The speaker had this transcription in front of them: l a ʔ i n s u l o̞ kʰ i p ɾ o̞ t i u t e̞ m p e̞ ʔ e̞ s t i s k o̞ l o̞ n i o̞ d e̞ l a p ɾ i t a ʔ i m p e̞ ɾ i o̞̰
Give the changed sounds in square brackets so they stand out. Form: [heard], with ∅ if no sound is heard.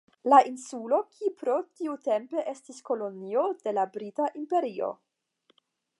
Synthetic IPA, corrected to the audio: l a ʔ i n s u l o̞ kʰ i p ɾ o̞ t i u t e̞ m p e̞ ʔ e̞ s t i s k o̞ l o̞ n i o̞ d e̞ l a [b] ɾ i t a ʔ i m p e̞ ɾ i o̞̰